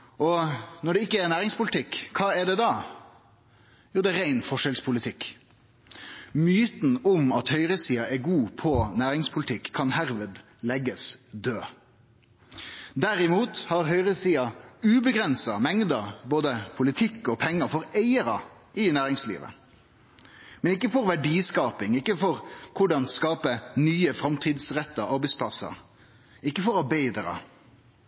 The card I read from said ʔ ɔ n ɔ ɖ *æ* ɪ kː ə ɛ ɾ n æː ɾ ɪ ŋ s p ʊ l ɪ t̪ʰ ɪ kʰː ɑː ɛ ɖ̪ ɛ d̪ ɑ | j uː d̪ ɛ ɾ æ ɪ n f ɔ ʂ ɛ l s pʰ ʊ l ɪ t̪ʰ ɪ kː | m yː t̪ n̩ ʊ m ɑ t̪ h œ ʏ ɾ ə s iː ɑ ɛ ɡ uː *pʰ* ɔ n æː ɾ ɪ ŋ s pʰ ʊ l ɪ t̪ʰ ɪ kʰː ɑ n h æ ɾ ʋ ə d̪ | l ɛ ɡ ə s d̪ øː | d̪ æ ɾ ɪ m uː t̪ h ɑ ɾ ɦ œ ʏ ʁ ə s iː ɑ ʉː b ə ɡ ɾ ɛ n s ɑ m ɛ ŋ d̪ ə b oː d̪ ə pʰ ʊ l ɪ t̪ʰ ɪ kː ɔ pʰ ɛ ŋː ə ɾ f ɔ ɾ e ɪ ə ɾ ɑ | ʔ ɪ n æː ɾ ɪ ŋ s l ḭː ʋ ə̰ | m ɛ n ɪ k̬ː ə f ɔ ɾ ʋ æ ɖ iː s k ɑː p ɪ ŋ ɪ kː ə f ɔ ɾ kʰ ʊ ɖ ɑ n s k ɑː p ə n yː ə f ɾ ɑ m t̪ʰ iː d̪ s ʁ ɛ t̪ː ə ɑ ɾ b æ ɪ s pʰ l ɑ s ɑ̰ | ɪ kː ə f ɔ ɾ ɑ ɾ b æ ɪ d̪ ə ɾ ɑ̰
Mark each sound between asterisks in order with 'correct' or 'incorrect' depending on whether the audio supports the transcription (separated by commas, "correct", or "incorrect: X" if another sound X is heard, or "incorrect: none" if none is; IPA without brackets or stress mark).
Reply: incorrect: ɛ, correct